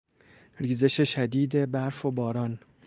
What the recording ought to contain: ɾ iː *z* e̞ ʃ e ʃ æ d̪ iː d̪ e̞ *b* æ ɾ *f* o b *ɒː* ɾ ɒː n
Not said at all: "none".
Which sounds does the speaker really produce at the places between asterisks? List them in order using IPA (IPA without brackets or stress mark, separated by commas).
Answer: z, b, f, ɒː